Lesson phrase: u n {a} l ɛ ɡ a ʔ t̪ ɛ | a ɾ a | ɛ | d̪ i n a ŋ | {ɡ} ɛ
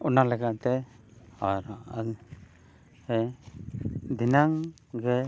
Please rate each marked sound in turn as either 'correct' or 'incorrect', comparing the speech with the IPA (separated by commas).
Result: correct, correct